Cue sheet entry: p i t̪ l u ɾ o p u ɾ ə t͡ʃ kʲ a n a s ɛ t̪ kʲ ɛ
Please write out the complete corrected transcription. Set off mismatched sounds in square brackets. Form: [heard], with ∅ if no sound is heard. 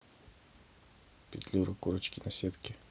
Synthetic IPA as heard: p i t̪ l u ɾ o [k] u ɾ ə t͡ʃ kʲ [i] n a s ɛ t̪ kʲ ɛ